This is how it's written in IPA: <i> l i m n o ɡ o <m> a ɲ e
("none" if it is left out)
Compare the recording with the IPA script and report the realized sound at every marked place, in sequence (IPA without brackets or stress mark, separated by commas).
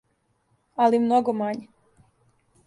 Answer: a, m